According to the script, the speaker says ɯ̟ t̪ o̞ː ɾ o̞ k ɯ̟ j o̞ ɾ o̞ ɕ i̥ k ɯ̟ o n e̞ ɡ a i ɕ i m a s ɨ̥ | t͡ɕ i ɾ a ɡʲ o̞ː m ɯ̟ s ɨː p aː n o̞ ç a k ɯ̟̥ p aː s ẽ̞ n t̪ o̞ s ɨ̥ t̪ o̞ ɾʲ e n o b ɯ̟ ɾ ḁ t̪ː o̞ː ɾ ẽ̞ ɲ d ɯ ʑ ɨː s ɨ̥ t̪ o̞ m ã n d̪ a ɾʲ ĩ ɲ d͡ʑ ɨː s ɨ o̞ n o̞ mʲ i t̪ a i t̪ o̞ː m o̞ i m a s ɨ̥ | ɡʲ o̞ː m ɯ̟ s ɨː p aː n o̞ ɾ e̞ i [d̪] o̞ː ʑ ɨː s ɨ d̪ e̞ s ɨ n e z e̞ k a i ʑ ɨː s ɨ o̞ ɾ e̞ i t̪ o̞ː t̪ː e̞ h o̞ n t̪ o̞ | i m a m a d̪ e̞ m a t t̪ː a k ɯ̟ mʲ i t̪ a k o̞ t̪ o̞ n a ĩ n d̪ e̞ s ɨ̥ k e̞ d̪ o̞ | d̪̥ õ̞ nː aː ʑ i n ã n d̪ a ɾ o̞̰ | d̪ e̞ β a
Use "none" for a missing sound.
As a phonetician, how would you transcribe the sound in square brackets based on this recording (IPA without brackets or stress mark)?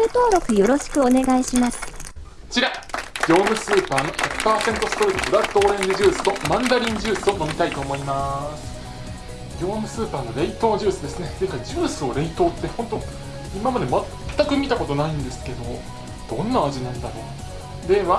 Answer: t̪